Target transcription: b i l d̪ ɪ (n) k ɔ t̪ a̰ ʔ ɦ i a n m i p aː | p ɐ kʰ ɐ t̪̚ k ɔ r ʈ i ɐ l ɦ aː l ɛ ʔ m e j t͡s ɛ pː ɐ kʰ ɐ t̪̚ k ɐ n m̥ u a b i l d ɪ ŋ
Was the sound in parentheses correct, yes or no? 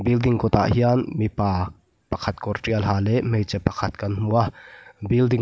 no